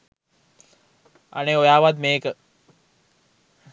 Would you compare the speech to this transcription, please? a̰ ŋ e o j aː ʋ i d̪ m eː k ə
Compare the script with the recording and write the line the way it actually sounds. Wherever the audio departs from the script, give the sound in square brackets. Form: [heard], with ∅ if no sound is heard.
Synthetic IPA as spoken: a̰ [n] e o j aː ʋ [a] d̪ m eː k ə